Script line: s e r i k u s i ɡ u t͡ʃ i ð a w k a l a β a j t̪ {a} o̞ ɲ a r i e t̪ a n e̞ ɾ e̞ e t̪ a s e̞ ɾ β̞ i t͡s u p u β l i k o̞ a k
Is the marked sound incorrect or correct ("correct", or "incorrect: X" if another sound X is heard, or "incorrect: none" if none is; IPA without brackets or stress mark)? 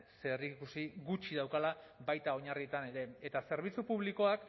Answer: correct